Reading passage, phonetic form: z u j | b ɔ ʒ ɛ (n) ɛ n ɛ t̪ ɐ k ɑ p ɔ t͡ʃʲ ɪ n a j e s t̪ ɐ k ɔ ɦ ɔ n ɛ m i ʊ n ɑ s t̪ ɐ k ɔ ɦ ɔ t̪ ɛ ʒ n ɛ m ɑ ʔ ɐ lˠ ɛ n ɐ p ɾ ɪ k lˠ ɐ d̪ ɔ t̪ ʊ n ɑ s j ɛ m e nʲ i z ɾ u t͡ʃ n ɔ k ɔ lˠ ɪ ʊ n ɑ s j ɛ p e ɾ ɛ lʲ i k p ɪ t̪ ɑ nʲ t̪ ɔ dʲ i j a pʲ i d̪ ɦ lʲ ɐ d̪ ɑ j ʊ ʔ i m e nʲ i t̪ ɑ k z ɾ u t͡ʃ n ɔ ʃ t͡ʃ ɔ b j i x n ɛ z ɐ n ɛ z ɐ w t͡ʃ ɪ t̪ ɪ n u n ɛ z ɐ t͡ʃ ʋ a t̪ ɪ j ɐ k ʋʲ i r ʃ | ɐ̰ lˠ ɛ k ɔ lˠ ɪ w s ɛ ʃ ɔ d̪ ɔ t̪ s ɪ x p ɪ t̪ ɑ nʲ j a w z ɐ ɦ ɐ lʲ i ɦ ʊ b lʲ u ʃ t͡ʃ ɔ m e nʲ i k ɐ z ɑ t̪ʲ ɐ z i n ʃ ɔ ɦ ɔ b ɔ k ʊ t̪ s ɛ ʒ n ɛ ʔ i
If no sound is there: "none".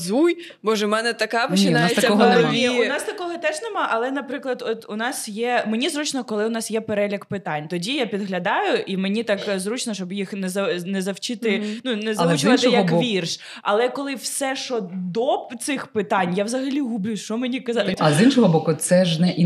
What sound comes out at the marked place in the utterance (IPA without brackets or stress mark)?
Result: m